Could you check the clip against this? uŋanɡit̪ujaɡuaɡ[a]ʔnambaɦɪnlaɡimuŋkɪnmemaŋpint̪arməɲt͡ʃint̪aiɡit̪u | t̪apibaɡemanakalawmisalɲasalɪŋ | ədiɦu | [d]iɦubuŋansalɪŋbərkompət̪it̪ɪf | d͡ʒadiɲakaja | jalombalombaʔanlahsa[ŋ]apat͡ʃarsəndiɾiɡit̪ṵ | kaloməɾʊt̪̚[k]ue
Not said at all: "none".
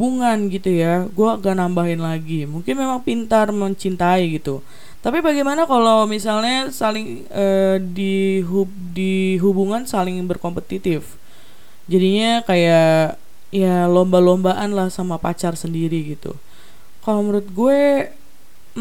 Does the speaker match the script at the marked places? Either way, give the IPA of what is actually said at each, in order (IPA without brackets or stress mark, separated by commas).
a, d, m, ɡ